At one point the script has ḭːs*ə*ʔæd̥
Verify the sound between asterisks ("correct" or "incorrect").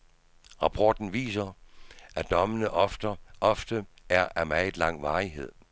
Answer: incorrect